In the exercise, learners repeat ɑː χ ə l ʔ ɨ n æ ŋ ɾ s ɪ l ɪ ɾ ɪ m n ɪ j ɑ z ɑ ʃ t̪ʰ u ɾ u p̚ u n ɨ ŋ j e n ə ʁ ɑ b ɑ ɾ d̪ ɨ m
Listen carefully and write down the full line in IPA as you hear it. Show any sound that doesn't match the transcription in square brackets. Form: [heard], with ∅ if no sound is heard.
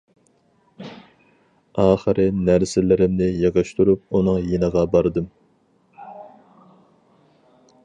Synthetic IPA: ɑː χ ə [ɾ] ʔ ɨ n æ [∅] ɾ s ɪ l ɪ ɾ ɪ m n ɪ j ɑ [ʁ] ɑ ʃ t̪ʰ u ɾ u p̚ u n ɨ ŋ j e n ə ʁ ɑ b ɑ ɾ d̪ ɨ m